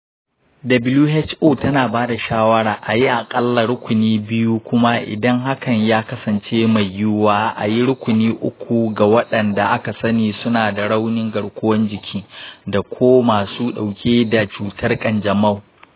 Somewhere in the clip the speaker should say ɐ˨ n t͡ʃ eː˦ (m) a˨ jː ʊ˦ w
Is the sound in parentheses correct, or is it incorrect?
correct